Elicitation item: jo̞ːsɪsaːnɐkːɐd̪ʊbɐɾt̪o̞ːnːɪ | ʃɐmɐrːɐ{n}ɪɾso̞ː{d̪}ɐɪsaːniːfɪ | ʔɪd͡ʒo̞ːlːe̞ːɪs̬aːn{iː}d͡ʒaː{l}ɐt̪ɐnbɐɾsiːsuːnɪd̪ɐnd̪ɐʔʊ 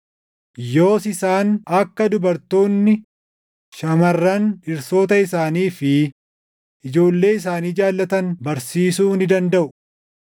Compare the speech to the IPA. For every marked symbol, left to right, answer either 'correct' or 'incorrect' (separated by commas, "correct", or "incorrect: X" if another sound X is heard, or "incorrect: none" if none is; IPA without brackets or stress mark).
correct, incorrect: t̪, correct, incorrect: lː